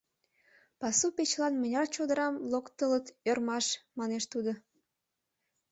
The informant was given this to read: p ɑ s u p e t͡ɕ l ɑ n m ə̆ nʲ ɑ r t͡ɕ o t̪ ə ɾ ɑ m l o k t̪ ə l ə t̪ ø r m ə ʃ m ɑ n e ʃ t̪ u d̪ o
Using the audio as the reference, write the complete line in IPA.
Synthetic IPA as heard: p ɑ s u p e t͡ɕ l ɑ n m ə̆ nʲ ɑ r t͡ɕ o d̪ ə ɾ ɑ m l o k t̪ ə l ə t̪ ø r m ɑ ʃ m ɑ n e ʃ t̪ u d̪ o